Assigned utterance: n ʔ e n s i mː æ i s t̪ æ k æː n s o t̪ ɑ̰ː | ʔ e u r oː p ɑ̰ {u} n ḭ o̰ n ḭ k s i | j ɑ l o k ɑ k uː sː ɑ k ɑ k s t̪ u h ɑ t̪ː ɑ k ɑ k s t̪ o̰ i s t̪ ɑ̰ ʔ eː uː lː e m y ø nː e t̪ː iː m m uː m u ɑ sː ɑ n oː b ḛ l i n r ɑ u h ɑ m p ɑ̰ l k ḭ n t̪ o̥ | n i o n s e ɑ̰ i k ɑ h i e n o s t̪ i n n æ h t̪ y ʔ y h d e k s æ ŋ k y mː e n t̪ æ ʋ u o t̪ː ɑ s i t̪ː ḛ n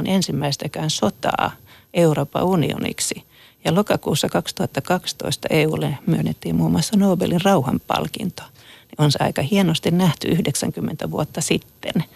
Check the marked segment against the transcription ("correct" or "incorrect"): correct